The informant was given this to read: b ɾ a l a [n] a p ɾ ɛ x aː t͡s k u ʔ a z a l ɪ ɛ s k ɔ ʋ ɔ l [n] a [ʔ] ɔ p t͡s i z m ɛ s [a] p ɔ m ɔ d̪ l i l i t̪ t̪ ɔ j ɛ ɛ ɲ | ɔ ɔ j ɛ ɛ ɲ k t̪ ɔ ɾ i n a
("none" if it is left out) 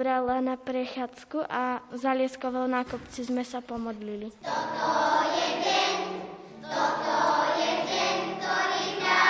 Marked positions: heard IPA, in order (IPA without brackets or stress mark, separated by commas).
n, n, k, a